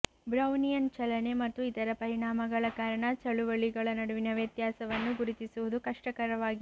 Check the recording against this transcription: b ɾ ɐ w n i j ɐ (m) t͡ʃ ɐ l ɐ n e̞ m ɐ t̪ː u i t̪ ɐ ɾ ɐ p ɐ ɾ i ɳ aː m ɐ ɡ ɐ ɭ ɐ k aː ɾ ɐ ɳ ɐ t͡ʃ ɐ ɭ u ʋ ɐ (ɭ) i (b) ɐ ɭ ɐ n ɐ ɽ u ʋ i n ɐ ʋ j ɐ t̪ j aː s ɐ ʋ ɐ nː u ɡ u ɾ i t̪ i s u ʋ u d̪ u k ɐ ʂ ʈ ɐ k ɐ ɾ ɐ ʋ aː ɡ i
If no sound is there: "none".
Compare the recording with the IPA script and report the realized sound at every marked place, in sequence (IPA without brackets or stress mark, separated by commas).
n, ɭ, ɡ